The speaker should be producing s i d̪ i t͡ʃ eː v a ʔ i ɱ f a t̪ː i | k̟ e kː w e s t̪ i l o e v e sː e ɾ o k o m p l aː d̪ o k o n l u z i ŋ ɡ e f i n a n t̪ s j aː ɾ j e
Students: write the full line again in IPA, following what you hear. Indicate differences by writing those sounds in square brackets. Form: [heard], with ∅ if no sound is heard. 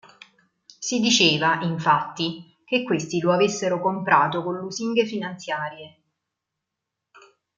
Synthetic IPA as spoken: s i d̪ i t͡ʃ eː v a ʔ i ɱ f a t̪ː i | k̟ e kː w e s t̪ i l o [a] v e sː e ɾ o k o m p [ɾ] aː [t̪] o k o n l u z i ŋ ɡ e f i n a n t̪ s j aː ɾ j e